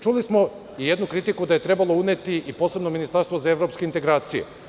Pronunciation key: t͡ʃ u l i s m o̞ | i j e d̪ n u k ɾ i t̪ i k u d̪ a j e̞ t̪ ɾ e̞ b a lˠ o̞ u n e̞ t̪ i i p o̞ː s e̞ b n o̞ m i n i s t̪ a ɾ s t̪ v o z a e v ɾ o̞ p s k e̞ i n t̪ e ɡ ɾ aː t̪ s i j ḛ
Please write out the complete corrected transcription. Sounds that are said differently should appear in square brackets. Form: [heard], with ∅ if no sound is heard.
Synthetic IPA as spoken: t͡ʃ u l i s m o̞ | i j e d̪ n u k ɾ i t̪ i k u d̪ a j e̞ t̪ ɾ e̞ b a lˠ o̞ u n e̞ t̪ i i p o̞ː s e̞ b n o̞ m i n i s t̪ a ɾ s t̪ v o z a e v ɾ o̞ p s k e̞ i n t̪ e ɡ ɾ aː t̪ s i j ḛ

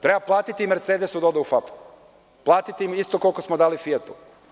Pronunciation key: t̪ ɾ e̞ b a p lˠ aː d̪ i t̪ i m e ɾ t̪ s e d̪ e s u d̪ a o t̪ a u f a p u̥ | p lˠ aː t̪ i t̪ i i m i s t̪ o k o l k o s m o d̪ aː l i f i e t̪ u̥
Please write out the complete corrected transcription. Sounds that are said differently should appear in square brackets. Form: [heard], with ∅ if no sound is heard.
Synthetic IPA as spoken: t̪ ɾ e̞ b a p lˠ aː [t̪] i t̪ i m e ɾ t̪ s e d̪ e s u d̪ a o [d̪] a u f a p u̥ | p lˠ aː t̪ i t̪ i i m i s t̪ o k o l k o s m o d̪ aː l i f i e t̪ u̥

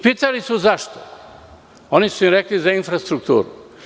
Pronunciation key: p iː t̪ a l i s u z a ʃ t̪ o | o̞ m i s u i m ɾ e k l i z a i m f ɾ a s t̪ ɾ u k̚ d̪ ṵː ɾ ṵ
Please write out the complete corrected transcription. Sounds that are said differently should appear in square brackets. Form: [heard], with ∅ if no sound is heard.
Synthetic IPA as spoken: p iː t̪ a l i s u z a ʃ t̪ o | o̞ [n] i s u i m ɾ e k l i z a i [n] f ɾ a s t̪ ɾ u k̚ [t̪] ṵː ɾ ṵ

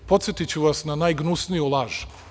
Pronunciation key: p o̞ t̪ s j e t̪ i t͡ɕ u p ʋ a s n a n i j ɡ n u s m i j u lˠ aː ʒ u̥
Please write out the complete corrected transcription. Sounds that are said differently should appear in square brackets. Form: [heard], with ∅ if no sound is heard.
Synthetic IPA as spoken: p o̞ t̪ s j e t̪ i t͡ɕ u [∅] ʋ a s n a n [a] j ɡ n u s [n] i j u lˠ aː ʒ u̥

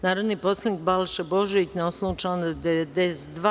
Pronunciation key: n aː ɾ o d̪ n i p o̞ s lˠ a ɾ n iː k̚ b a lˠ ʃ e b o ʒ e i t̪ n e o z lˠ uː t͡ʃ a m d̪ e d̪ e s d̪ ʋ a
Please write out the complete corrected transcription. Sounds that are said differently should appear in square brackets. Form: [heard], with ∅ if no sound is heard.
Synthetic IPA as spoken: n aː ɾ o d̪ n i p o̞ s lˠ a [∅] n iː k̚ b a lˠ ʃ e b o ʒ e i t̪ n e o [s] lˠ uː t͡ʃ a [n] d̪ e d̪ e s d̪ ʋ a

